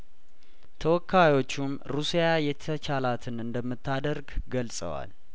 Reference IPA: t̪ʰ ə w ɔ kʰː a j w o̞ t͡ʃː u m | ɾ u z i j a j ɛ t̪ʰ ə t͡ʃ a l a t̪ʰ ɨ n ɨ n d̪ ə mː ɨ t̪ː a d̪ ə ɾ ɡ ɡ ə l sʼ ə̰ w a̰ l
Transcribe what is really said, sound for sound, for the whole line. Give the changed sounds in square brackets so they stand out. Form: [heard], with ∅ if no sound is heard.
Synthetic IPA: t̪ʰ ə w ɔ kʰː a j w o̞ t͡ʃː u m | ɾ u [s] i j a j ɛ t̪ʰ ə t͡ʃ a l a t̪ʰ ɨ n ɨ n d̪ ə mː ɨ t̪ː a d̪ ə ɾ ɡ ɡ ə l sʼ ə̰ w a̰ l